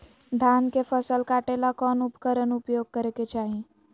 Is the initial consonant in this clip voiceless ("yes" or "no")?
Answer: no